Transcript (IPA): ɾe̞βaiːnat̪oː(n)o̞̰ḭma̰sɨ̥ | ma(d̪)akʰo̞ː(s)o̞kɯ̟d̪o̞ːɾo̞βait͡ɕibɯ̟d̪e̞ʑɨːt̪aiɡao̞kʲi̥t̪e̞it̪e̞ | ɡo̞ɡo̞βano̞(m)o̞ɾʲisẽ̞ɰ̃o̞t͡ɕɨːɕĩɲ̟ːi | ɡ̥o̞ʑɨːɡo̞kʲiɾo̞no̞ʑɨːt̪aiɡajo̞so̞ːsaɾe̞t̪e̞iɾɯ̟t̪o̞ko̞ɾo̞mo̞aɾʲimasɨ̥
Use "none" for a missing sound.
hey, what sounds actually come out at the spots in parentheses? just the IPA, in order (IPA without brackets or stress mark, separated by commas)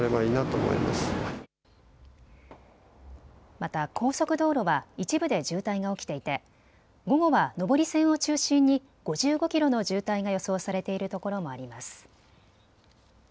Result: m, t̪, s, b